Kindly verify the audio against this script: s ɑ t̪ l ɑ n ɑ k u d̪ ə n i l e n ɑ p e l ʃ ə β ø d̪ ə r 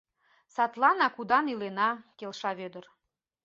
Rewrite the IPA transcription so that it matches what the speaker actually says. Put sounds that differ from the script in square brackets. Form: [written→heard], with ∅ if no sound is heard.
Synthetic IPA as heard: s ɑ t̪ l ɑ n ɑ k u d̪ [ə→ɑ] n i l e n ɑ [p→k] e l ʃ [ə→ɑ] β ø d̪ ə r

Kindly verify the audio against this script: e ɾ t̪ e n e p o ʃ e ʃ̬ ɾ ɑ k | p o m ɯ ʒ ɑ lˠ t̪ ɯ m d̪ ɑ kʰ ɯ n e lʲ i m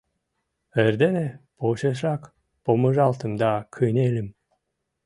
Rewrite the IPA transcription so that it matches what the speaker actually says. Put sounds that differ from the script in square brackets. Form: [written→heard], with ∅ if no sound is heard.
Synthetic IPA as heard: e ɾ [t̪→d̪] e n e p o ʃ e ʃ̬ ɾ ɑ k | p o m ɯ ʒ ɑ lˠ t̪ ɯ m d̪ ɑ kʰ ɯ n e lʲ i m

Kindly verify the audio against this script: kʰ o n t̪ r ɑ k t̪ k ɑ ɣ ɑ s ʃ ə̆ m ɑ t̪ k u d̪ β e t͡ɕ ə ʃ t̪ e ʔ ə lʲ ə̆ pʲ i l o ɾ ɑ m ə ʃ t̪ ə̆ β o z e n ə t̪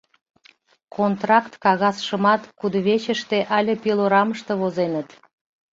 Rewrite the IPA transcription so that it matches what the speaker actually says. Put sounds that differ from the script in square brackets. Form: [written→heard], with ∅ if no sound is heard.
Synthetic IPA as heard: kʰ o n t̪ r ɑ k t̪ k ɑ ɣ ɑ s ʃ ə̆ m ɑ t̪ k u d̪ β e t͡ɕ ə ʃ t̪ e ʔ [ə→ɑ] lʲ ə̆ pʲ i l o ɾ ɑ m ə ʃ t̪ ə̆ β o z e n ə t̪

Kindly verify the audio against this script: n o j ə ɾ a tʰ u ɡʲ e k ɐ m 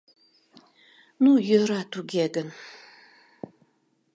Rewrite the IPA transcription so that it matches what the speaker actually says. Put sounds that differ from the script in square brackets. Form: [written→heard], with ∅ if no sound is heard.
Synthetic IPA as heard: n [o→u] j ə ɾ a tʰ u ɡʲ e [k→ɡ] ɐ [m→n]

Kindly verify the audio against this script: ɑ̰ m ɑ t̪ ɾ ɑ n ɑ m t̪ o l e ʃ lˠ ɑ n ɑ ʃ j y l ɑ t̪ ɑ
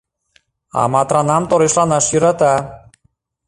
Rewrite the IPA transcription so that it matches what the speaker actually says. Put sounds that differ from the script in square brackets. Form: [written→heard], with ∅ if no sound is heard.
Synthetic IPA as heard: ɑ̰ m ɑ t̪ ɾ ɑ n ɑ m t̪ o [l→ɾ] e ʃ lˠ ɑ n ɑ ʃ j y [l→ɾ] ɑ t̪ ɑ

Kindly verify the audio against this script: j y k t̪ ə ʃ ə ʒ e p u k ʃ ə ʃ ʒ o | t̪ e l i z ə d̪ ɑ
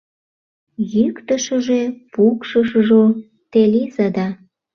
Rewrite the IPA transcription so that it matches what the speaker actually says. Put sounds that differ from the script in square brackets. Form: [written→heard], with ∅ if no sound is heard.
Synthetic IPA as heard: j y k t̪ ə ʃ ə ʒ e p u k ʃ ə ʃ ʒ o | t̪ e l i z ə d̪ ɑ

